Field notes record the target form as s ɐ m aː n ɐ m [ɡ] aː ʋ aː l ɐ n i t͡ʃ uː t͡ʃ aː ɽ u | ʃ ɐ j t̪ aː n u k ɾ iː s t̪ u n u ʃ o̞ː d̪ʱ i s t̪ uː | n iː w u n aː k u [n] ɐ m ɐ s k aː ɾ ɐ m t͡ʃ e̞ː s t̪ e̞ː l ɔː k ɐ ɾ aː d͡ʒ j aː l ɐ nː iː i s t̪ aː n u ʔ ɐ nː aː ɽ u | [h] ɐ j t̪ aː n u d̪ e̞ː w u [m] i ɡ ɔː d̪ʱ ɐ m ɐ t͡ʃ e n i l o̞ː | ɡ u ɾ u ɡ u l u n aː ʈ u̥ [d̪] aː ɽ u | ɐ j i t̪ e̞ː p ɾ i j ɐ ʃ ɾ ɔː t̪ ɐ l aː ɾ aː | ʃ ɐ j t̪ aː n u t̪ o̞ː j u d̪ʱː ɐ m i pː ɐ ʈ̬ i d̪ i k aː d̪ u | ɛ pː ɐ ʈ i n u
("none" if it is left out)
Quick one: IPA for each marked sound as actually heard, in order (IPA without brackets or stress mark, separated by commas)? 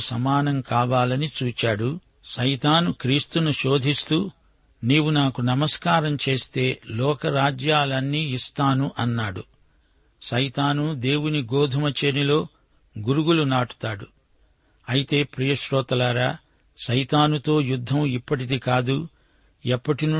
k, n, ʃ, n, t̪